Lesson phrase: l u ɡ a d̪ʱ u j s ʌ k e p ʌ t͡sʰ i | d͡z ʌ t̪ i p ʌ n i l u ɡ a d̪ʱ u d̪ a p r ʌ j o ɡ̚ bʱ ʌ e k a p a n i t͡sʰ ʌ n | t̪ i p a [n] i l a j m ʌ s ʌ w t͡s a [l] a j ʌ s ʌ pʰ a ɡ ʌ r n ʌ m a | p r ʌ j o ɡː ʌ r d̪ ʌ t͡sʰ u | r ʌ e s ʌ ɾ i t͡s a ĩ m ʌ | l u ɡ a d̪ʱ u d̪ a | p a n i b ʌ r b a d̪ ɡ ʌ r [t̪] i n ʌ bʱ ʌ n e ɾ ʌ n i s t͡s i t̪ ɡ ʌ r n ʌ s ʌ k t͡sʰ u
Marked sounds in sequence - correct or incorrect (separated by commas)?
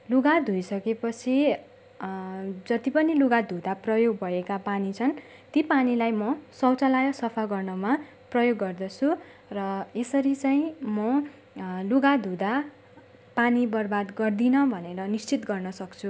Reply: correct, correct, incorrect